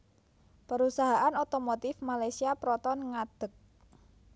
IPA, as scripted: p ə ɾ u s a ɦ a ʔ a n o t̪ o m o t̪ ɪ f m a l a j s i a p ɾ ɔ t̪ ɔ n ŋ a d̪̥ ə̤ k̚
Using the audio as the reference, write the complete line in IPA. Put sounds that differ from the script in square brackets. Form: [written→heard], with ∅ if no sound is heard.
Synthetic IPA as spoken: p ə ɾ u s a ɦ a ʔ a n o t̪ o m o t̪ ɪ f m a l a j s i a p ɾ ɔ t̪ ɔ n ŋ a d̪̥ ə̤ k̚

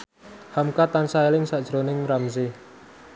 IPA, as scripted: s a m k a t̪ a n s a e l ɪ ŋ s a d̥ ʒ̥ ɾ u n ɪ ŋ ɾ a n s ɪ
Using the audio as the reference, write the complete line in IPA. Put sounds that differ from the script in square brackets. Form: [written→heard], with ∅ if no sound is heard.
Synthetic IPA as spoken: [s→h] a m k a t̪ a n s a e l ɪ ŋ s a d̥ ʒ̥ ɾ [u→o] n ɪ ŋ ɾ a [n→m] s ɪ

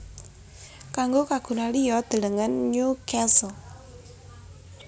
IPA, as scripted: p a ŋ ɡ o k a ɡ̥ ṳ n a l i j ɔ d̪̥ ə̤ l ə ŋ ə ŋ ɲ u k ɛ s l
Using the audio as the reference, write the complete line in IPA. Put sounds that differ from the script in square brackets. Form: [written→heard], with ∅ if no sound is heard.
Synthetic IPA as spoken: [p→k] a ŋ ɡ o k a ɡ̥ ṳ n a l i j ɔ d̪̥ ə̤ l ə ŋ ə [ŋ→n] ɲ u k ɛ s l

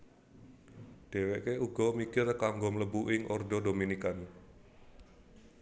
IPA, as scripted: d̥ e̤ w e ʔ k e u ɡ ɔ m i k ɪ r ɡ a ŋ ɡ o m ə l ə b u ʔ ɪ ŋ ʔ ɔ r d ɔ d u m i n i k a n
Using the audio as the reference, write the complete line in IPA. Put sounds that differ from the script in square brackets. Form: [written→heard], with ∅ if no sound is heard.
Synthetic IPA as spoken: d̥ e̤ w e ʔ k e u ɡ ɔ m i k ɪ r [ɡ→k] a ŋ ɡ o m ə l ə b u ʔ ɪ ŋ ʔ ɔ r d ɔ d [u→o] m i n i k a n

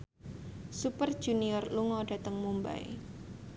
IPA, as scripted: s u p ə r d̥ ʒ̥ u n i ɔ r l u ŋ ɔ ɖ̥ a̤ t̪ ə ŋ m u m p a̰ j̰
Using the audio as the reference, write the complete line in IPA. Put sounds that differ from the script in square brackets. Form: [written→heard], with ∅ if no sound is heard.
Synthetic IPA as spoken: s u p ə r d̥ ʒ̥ u n i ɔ r l u ŋ ɔ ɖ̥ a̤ t̪ ə ŋ m u m [p→b] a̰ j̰

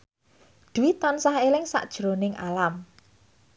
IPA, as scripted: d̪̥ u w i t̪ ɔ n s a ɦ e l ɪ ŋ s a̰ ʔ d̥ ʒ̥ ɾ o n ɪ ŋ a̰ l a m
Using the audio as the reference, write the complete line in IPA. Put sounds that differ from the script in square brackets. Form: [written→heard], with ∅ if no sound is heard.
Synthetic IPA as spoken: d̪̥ u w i t̪ ɔ n s a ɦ e l ɪ ŋ s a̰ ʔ d̥ ʒ̥ ɾ o n ɪ ŋ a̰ l a m

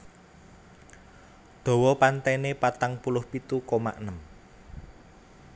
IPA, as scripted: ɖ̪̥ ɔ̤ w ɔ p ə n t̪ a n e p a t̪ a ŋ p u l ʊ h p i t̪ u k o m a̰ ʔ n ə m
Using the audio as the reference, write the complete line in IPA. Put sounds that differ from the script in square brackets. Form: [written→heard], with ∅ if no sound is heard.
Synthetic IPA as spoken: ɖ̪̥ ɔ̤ w ɔ p [ə→a] n t̪ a n e p a t̪ a ŋ p u l ʊ h p i t̪ u k o m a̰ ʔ n ə m

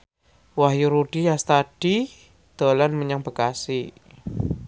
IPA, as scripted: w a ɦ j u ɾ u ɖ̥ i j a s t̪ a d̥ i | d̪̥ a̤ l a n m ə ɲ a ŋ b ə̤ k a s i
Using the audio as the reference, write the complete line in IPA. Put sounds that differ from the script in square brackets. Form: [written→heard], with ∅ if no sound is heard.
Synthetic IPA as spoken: w a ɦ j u ɾ u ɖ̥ i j a s t̪ a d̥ i | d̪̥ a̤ l a n m ə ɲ a ŋ b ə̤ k a s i

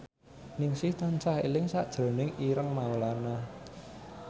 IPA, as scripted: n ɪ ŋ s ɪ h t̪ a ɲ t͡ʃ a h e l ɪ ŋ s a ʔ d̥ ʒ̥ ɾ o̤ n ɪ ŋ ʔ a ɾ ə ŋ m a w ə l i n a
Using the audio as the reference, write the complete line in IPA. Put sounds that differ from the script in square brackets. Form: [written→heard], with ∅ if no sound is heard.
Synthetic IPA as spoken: n ɪ ŋ s ɪ h t̪ a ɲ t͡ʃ a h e l ɪ ŋ s a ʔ d̥ ʒ̥ ɾ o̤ n ɪ ŋ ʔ [a→i] ɾ ə ŋ m a w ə l [i→a] n a

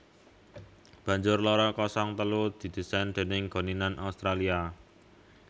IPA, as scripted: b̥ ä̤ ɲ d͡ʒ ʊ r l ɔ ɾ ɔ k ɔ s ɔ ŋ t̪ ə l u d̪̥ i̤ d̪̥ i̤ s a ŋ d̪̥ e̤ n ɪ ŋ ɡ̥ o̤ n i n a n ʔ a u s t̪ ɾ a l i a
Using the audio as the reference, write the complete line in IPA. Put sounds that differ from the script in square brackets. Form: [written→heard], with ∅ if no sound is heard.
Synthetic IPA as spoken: b̥ ä̤ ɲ d͡ʒ ʊ r l ɔ ɾ ɔ k ɔ s ɔ ŋ t̪ ə l u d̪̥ i̤ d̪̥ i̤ s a [ŋ→n] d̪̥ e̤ n ɪ ŋ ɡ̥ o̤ n i n a n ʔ a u s t̪ ɾ a l i a

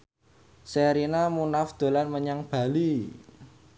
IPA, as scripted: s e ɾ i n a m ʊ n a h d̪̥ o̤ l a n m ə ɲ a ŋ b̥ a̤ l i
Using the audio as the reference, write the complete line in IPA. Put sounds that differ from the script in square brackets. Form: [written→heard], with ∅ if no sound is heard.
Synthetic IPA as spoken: s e ɾ i n a m [ʊ→u] n a [h→f] d̪̥ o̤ l a n m ə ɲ a ŋ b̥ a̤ l i

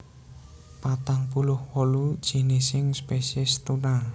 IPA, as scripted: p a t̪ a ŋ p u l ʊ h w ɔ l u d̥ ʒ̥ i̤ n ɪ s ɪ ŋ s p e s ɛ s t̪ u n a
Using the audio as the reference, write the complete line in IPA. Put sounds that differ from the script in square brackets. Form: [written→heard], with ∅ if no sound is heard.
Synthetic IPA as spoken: p a t̪ a ŋ p u l ʊ h w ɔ l u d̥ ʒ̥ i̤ n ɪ s ɪ ŋ s p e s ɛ s t̪ u n a

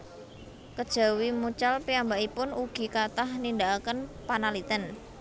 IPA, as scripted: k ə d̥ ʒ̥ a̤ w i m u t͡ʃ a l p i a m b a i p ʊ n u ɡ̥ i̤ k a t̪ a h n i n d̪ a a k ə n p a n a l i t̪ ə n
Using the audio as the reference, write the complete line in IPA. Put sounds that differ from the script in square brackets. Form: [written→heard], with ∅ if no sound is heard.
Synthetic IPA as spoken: k ə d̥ ʒ̥ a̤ w i m u t͡ʃ a l p i a m b a i p ʊ n u ɡ̥ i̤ k a t̪ a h n i n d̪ a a k ə n p a n a l i t̪ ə n

